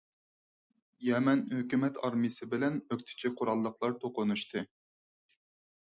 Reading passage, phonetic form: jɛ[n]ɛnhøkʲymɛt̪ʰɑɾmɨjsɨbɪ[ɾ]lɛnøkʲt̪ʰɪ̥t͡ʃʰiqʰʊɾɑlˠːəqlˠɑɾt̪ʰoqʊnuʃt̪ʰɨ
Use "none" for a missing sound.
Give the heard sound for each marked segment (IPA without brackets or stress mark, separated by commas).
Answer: m, none